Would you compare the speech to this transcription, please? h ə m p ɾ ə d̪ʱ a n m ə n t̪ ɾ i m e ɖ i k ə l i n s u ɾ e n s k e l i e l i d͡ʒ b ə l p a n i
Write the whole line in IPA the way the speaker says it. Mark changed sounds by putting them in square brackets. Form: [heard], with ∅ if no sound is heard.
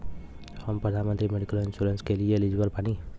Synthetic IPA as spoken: h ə m p ɾ ə d̪ʱ a n m ə n t̪ ɾ i m e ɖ i k ə l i n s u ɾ e n s k e l i e l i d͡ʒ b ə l p a n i